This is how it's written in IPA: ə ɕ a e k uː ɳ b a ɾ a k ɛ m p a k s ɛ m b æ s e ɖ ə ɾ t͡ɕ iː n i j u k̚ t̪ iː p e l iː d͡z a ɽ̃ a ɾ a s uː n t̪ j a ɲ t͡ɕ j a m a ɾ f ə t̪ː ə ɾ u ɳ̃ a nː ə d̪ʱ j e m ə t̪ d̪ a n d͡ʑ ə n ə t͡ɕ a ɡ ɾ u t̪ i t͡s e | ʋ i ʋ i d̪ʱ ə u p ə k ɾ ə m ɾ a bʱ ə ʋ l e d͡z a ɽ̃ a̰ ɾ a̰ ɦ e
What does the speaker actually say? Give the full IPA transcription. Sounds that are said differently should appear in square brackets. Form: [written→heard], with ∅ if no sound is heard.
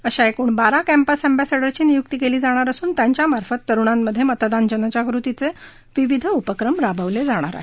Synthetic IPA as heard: ə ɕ a e k uː ɳ b a ɾ a k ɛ m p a [k→∅] s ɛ m b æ s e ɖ ə ɾ t͡ɕ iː n i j u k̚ t̪ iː [p→k] e l iː d͡z a ɽ̃ a ɾ [a→ə] s uː n t̪ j a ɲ t͡ɕ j a m a ɾ f ə t̪ː ə ɾ u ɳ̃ a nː ə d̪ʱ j e m ə t̪ d̪ a n d͡ʑ ə n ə t͡ɕ a ɡ ɾ u t̪ i t͡s e | ʋ i ʋ i d̪ʱ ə u p ə k ɾ ə m ɾ a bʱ ə ʋ l e d͡z a ɽ̃ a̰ ɾ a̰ ɦ e

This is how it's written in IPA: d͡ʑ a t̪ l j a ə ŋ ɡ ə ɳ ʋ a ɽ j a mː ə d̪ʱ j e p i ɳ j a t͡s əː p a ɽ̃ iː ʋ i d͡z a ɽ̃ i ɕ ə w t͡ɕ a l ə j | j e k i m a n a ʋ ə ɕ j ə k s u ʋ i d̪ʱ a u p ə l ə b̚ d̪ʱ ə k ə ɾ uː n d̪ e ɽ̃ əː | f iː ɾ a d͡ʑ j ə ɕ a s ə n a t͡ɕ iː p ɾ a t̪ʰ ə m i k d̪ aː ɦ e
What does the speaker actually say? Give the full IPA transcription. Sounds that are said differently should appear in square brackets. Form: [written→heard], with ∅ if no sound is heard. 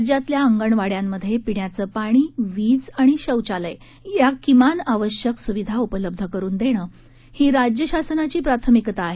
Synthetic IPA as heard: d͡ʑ a t̪ l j a ə ŋ ɡ ə ɳ ʋ a ɽ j a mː ə d̪ʱ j e p i ɳ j a t͡s əː p a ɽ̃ iː ʋ i d͡z a ɽ̃ i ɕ ə w t͡ɕ a l ə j | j [e→a] k i m a n a ʋ ə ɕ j ə k s u ʋ i d̪ʱ a u p ə l ə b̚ d̪ʱ ə k ə ɾ uː n d̪ e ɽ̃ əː | [f→h] iː ɾ a d͡ʑ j ə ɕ a s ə n a t͡ɕ iː p ɾ a t̪ʰ ə m i k [d̪→t̪] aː ɦ e

